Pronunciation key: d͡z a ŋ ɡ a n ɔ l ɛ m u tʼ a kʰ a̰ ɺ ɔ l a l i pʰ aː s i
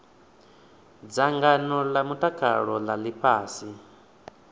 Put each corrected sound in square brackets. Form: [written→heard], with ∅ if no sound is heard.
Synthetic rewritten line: d͡z a ŋ ɡ a n ɔ l [ɛ→a] m u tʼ a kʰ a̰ ɺ ɔ l a l i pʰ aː s i